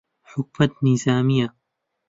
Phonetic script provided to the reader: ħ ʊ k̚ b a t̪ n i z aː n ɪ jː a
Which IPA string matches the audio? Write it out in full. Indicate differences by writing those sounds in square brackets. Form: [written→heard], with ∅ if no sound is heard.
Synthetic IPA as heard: ħ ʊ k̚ [b→m] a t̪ n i z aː [n→m] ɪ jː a